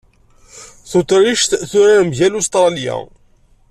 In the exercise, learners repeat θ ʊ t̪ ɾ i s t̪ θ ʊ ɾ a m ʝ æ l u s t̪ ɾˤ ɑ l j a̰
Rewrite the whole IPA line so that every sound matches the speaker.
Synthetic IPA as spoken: θ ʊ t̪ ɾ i ʃ t̪ θ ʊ ɾ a m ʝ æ l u s t̪ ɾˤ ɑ l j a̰